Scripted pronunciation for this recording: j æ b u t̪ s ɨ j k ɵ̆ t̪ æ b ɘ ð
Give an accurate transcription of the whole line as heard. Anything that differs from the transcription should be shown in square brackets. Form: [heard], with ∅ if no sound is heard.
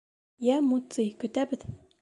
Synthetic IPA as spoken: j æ [m] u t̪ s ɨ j k ɵ̆ t̪ æ b ɘ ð